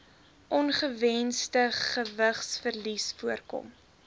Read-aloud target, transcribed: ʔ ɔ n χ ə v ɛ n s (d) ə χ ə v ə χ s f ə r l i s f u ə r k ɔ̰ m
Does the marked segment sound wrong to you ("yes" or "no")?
yes